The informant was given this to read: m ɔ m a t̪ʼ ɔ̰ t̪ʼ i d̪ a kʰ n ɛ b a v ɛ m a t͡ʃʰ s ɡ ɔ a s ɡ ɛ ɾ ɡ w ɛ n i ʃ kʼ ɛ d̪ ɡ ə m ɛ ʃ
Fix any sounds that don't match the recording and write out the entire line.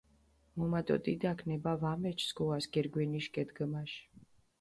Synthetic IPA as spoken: m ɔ m a t̪ʼ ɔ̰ t̪ʼ i d̪ a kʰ n ɛ b a v a m ɛ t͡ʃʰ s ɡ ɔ a s ɡ ɛ ɾ ɡ w ɛ n i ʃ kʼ ɛ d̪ ɡ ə m a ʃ